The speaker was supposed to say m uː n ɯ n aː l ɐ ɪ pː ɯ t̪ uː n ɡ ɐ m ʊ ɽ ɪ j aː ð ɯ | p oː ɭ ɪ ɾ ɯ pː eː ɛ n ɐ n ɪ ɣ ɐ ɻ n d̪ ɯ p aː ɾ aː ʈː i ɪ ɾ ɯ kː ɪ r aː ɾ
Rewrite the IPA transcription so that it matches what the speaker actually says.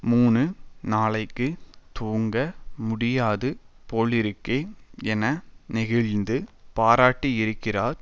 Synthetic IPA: m uː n ɯ n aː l ɐ ɪ kː ɯ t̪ uː ŋ ɡ ɐ m ʊ ɽ ɪ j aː ð ɯ | p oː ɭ ɪ ɾ ɯ kː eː ɛ n ɐ n ɪ ɣ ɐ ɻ n d̪ ɯ p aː ɾ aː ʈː i ɪ ɾ ɯ kː ɪ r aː ɾ

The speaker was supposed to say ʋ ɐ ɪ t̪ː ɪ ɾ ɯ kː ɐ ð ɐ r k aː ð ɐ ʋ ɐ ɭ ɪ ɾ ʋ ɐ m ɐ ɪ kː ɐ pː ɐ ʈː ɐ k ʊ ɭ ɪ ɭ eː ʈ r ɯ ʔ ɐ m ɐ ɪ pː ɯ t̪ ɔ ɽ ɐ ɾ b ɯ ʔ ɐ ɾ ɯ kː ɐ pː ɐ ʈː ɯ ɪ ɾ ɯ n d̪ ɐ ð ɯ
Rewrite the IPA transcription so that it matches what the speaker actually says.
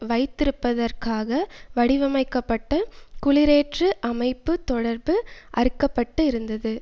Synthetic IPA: ʋ ɐ ɪ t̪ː ɪ ɾ ɯ pː ɐ ð ɐ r k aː ɣ ɐ ʋ ɐ ɽ ɪ ʋ ɐ m ɐ ɪ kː ɐ pː ɐ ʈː ɐ k ʊ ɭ ɪ ɾ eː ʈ r ɯ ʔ ɐ m ɐ ɪ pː ɯ t̪ ɔ ɽ ɐ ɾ b ɯ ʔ ɐ ɾ ɯ kː ɐ pː ɐ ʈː ɯ ɪ ɾ ɯ n d̪ ɐ ð ɯ

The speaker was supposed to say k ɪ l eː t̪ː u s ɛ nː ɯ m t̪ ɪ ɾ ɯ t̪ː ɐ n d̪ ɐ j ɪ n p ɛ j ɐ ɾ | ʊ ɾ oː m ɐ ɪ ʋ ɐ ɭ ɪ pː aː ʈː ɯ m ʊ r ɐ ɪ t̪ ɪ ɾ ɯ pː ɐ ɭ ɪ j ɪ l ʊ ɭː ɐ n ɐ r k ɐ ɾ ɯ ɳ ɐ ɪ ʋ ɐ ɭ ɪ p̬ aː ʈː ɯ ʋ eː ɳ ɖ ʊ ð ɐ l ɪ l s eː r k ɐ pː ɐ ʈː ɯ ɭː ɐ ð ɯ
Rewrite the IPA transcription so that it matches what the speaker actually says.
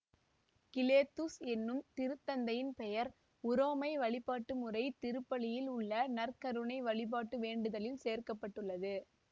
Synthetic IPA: k ɪ l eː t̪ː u s ɛ nː ɯ m t̪ ɪ ɾ ɯ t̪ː ɐ n d̪ ɐ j ɪ n p ɛ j ɐ ɾ | ʊ ɾ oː m ɐ ɪ ʋ ɐ ɭ ɪ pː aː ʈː ɯ m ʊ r ɐ ɪ t̪ ɪ ɾ ɯ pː ɐ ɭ ɪ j ɪ l ʊ ɭː ɐ n ɐ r k ɐ ɾ ɯ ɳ ɐ ɪ ʋ ɐ ɭ ɪ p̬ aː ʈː ɯ ʋ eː ɳ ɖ ɯ ð ɐ l ɪ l s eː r k ɐ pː ɐ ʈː ɯ ɭː ɐ ð ɯ

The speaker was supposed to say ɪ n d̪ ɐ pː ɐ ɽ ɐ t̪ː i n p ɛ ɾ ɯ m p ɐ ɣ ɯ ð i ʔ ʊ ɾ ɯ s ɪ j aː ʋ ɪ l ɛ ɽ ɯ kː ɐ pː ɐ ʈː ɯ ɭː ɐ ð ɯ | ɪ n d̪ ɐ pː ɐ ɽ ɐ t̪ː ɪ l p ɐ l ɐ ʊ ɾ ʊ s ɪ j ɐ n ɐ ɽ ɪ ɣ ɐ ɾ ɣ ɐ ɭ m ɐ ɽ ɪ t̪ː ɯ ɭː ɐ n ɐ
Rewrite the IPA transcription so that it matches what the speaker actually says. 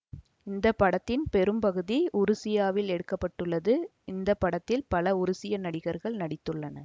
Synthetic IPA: ɪ n d̪ ɐ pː ɐ ɽ ɐ t̪ː ɪ n p ɛ ɾ ɯ m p ɐ ɣ ɯ ð i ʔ ʊ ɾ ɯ s ɪ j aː ʋ ɪ l ɛ ɽ ɯ kː ɐ pː ɐ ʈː ɯ ɭː ɐ ð ɯ | ɪ n d̪ ɐ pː ɐ ɽ ɐ t̪ː ɪ l p ɐ l ɐ ʊ ɾ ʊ s ɪ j ɐ n ɐ ɽ ɪ ɣ ɐ ɾ ɣ ɐ ɭ n ɐ ɽ ɪ t̪ː ɯ ɭː ɐ n ɐ

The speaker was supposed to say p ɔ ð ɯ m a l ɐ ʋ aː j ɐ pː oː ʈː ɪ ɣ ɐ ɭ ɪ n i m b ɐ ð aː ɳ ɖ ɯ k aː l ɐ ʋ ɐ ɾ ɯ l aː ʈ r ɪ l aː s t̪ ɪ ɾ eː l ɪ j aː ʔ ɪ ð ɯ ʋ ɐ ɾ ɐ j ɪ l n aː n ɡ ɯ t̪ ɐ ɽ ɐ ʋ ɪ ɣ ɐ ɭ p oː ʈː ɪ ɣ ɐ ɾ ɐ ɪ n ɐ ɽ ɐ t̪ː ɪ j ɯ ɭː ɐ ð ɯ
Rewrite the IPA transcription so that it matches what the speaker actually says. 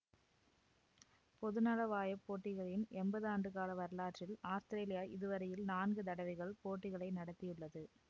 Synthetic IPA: p ɔ ð ɯ n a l ɐ ʋ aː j ɐ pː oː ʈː ɪ ɣ ɐ ɭ ɪ n ɛ m b ɐ ð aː ɳ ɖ ɯ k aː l ɐ ʋ ɐ ɾ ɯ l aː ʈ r ɪ l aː s t̪ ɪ ɾ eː l ɪ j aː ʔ ɪ ð ɯ ʋ ɐ ɾ ɐ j ɪ l n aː n ɡ ɯ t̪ ɐ ɽ ɐ ʋ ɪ ɣ ɐ ɭ p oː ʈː ɪ ɣ ɐ ɭ ɐ ɪ n ɐ ɽ ɐ t̪ː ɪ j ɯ ɭː ɐ ð ɯ

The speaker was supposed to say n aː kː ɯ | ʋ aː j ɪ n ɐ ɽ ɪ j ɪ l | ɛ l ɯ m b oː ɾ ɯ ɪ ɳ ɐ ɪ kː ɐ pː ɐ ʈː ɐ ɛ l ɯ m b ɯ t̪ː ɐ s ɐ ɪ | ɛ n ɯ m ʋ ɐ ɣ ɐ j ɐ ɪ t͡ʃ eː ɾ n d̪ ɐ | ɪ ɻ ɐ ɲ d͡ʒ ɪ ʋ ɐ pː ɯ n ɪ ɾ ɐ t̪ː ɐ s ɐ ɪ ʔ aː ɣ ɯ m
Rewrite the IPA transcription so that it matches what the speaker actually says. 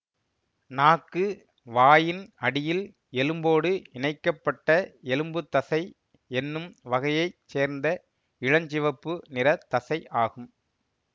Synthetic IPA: n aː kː ɯ | ʋ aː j ɪ n ɐ ɽ ɪ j ɪ l | ɛ l ɯ m b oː ɽ ɯ ɪ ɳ ɐ ɪ kː ɐ pː ɐ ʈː ɐ ɛ l ɯ m b ɯ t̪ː ɐ s ɐ ɪ | ɛ nː ɯ m ʋ ɐ ɣ ɐ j ɐ ɪ t͡ʃ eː ɾ n d̪ ɐ | ɪ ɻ ɐ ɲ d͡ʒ ɪ ʋ ɐ pː ɯ n ɪ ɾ ɐ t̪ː ɐ s ɐ ɪ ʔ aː ɣ ɯ m

